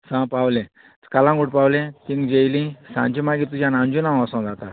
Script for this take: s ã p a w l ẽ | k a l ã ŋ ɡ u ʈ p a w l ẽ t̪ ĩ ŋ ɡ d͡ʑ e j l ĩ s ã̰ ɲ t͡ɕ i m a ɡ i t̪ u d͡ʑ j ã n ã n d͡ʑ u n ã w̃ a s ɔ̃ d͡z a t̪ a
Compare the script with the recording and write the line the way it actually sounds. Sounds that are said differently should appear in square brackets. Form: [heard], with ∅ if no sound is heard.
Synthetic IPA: s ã p a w l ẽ | k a l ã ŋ ɡ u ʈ p a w l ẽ t̪ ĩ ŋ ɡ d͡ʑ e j l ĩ s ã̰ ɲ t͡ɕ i m a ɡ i t̪ u d͡ʑ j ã n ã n d͡ʑ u n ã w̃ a s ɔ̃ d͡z a t̪ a